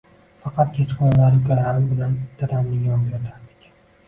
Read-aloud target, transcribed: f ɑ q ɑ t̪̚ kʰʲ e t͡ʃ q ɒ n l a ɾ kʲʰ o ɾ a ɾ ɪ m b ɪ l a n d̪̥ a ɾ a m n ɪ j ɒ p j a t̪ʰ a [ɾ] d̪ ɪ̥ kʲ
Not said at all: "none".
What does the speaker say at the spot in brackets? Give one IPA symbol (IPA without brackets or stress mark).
ɾ